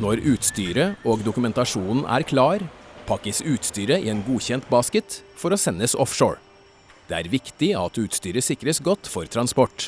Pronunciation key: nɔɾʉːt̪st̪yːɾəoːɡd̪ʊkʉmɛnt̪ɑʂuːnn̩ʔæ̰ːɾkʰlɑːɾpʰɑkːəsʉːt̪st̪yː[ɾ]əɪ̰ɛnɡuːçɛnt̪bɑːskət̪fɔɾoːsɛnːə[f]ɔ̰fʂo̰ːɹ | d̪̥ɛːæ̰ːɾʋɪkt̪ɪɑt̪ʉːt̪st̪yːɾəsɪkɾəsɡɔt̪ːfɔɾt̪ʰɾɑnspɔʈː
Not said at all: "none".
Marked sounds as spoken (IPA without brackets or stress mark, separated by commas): ɾ, s